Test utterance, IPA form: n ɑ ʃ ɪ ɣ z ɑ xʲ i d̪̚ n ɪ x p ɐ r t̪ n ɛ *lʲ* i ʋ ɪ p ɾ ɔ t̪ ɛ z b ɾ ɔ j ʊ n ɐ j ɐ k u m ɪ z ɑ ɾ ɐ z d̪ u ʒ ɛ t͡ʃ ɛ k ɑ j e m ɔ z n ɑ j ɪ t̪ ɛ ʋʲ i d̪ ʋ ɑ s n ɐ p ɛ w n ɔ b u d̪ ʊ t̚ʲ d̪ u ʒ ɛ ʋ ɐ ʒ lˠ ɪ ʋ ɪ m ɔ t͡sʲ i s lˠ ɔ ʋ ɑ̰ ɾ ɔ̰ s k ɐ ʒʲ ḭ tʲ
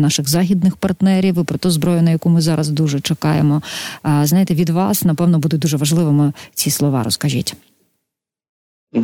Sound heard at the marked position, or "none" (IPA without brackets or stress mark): ɾʲ